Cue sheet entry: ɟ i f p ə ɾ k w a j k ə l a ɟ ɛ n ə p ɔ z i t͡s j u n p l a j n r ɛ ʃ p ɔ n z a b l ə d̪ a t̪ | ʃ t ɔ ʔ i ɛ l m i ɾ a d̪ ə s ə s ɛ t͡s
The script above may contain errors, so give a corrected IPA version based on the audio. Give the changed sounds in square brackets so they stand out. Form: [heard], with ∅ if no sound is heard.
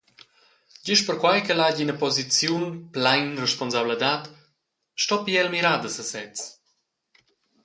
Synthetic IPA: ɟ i [ʃ] p ə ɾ k w a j k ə l a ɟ [i] n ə p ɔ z i t͡s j u n p l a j n r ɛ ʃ p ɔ n z a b l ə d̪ a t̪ | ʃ t ɔ [p] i ɛ l m i ɾ a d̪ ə s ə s ɛ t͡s

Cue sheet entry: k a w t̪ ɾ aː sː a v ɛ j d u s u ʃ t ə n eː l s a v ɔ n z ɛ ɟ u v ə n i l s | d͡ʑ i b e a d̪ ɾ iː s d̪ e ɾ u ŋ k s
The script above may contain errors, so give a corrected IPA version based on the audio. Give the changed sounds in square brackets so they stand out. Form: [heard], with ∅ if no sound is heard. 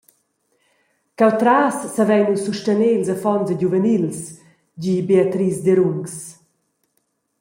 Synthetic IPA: k a w t̪ ɾ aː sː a v ɛ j [n] u s u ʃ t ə n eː l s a [f] ɔ n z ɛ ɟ u v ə n i l s | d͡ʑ i b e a [t̪] ɾ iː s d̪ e ɾ u ŋ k s

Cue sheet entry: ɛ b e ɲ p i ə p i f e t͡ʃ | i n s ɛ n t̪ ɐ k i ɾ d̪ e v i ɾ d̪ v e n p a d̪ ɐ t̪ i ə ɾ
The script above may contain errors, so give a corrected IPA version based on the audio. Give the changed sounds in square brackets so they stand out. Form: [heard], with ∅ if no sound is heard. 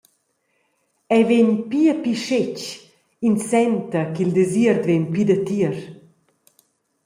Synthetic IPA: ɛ [v] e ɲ p i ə p i [ʃ] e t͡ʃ | i n s ɛ n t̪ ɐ k i [l] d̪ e [z] i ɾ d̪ v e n p [i] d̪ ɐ t̪ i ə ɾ

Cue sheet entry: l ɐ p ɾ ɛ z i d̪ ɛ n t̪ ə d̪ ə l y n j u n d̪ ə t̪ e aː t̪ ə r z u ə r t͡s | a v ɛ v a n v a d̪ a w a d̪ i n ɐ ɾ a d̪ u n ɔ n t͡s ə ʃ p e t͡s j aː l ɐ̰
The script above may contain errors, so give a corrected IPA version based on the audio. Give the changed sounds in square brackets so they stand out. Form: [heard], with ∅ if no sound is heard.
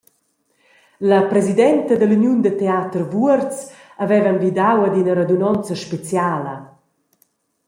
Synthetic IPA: l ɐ p ɾ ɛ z i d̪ ɛ n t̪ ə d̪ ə l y n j u n d̪ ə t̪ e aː t̪ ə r [v] u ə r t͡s | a v ɛ v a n v [i] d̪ a w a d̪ i n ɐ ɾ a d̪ u n ɔ n t͡s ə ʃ p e t͡s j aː l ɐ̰

